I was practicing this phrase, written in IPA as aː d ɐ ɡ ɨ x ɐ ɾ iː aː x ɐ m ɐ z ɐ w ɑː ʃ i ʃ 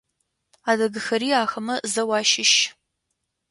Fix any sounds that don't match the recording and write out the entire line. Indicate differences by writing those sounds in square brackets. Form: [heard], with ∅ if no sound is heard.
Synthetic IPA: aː d ɐ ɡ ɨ x ɐ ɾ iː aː x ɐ m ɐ z ɐ w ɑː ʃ [ɪ] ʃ